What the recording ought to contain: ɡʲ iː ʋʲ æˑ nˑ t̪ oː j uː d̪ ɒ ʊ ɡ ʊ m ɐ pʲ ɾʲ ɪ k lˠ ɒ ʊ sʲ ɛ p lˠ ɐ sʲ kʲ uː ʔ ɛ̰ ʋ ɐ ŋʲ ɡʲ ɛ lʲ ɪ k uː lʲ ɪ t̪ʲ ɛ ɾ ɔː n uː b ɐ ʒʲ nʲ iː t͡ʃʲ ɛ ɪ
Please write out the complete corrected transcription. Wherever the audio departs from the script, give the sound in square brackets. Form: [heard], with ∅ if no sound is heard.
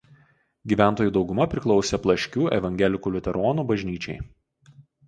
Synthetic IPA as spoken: ɡʲ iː ʋʲ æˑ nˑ t̪ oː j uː d̪ ɒ ʊ ɡ ʊ m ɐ pʲ ɾʲ ɪ k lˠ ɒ ʊ sʲ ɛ p lˠ ɐ [ʃʲ] kʲ uː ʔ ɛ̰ ʋ ɐ ŋʲ ɡʲ ɛ lʲ ɪ k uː lʲ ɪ t̪ʲ ɛ ɾ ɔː n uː b ɐ ʒʲ nʲ iː t͡ʃʲ ɛ ɪ